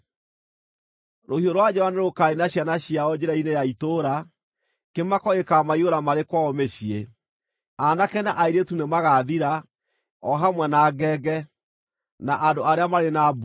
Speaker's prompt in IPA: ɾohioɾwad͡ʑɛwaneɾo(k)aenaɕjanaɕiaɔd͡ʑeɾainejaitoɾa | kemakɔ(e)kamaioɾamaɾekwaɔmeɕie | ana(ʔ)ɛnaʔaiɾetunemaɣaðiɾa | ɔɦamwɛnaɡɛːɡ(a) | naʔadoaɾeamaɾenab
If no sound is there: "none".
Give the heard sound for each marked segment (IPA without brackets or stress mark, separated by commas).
k, e, k, ɛ